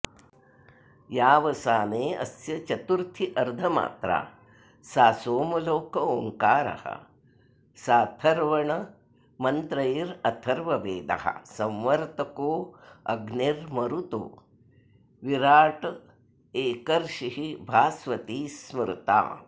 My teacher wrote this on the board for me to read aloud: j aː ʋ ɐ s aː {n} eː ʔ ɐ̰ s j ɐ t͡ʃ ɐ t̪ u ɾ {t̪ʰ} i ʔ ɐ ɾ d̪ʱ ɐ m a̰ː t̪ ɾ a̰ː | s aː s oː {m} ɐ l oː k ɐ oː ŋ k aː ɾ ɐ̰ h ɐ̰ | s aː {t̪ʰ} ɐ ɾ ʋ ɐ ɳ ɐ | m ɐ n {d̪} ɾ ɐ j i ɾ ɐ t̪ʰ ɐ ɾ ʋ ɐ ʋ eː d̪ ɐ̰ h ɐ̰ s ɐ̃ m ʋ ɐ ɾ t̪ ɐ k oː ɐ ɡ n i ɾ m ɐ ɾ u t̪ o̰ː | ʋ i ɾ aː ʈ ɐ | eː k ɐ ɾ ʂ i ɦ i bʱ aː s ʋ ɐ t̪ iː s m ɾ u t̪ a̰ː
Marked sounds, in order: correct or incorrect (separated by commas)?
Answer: correct, correct, correct, correct, incorrect